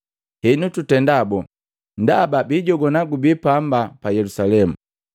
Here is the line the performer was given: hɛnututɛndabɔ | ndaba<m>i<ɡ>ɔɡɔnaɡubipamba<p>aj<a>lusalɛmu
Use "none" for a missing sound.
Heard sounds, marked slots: b, ɟ, p, ɛ

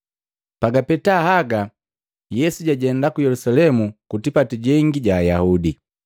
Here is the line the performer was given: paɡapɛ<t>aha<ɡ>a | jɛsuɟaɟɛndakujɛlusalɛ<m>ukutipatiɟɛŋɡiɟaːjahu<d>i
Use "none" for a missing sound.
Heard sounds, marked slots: t, ɡ, m, d

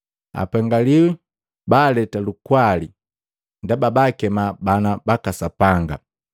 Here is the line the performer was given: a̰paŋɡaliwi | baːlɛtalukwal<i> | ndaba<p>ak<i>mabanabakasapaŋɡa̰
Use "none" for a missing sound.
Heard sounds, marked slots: i, b, ɛ

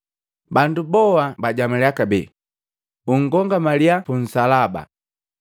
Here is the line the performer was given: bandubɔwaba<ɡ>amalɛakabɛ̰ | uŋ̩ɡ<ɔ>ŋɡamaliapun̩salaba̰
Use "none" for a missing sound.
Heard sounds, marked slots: ɟ, ɔ

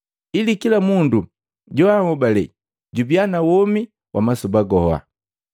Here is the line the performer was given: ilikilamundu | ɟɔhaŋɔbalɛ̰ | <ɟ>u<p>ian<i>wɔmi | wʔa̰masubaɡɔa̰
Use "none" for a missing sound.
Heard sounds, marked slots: ɟ, b, a

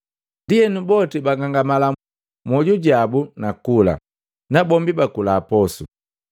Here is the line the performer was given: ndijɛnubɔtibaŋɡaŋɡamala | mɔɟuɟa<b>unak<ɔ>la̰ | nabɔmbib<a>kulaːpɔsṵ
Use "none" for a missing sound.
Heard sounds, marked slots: b, u, a

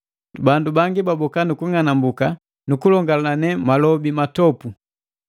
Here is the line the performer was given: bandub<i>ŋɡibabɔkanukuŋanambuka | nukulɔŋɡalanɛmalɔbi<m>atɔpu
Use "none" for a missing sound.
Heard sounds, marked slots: a, m

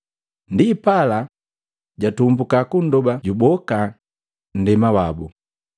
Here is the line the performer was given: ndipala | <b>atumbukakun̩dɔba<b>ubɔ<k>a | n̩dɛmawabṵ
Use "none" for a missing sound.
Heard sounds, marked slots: ɟ, ɟ, k

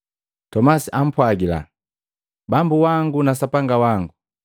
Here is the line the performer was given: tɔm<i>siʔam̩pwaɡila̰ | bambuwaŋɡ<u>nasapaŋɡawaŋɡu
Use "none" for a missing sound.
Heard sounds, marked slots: a, u

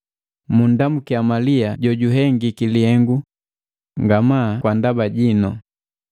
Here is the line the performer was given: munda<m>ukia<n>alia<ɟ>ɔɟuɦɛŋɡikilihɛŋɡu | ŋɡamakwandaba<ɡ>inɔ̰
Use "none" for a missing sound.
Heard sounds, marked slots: m, m, ɟ, ɟ

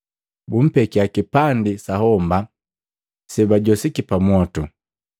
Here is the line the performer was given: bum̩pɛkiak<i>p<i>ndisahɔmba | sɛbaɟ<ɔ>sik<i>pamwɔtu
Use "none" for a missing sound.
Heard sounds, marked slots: i, a, ɔ, i

